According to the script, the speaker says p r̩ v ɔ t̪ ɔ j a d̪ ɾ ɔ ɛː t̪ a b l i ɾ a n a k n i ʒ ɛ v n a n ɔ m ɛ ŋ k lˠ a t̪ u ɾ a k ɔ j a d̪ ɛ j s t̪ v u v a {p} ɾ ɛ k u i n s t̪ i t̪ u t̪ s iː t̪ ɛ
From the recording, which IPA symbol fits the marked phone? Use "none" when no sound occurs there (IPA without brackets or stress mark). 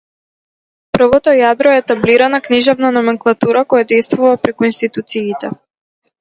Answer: p